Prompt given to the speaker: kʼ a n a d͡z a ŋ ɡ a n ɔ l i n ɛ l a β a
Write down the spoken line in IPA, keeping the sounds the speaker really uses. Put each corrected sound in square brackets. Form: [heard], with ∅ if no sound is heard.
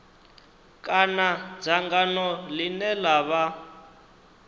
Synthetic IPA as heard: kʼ a n a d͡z a ŋ ɡ a n ɔ l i n ɛ l a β a

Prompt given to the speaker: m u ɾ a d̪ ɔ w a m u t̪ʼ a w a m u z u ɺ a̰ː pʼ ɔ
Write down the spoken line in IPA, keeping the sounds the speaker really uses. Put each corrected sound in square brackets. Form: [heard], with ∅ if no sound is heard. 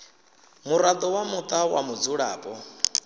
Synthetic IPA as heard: m u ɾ a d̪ ɔ w a m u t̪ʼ a w a m u [d͡z] u ɺ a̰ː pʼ ɔ

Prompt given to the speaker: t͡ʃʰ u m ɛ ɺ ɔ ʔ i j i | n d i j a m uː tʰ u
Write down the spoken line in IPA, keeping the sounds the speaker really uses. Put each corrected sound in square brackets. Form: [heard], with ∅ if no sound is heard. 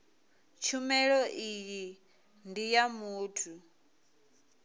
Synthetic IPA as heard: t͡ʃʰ u m ɛ ɺ ɔ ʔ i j i | n d i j a m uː tʰ u

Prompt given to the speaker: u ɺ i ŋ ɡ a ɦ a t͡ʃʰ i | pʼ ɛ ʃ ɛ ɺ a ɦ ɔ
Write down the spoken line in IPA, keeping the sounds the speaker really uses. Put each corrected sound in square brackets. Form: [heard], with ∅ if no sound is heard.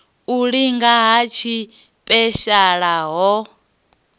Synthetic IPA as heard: u ɺ i ŋ ɡ a ɦ a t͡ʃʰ i | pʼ ɛ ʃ [a] ɺ a ɦ ɔ

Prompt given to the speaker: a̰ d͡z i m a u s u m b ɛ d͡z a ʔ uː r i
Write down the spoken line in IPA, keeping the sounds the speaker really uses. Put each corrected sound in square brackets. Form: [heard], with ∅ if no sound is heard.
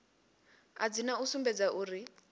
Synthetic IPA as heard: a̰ d͡z i [n] a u s u m b ɛ d͡z a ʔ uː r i

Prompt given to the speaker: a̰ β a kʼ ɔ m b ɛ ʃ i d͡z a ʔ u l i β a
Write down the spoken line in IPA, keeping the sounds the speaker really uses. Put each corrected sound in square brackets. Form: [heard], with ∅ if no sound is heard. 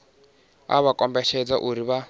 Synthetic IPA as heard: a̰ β a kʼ ɔ m b ɛ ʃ [ɛ] d͡z a ʔ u [ɾ] i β a

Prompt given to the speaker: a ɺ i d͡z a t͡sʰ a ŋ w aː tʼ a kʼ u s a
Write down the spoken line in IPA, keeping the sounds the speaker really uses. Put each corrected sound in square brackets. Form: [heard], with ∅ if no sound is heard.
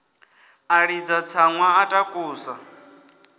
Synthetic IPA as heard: a ɺ i d͡z a t͡sʰ a ŋ w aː tʼ a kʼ [uː] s a

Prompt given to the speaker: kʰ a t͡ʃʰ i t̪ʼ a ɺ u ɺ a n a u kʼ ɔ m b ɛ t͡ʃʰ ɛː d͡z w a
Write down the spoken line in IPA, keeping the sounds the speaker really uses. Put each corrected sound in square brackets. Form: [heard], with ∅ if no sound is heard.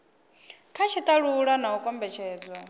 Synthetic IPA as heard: kʰ a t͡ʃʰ i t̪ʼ a ɺ u ɺ a n a u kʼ ɔ m b ɛ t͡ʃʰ ɛː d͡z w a

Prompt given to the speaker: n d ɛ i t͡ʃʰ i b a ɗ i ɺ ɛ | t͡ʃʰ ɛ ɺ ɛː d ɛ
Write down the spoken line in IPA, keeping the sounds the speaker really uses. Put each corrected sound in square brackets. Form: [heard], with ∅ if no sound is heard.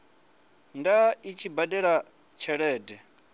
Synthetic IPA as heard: n d [a] i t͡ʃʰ i b a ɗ [ɛ] ɺ [a] | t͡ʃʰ ɛ ɺ ɛː d ɛ

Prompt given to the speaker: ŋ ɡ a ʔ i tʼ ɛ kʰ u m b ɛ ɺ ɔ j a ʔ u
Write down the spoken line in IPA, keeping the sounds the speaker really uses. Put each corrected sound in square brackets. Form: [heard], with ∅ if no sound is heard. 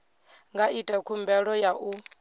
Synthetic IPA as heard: ŋ ɡ a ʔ i tʼ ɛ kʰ u m b ɛ ɺ ɔ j a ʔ u

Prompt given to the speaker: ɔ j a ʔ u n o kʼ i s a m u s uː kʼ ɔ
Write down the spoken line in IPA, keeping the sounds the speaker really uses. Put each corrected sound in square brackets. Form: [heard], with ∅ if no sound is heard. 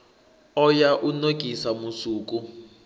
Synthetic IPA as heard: ɔ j a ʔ u n o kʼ i s a m u s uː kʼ [u]

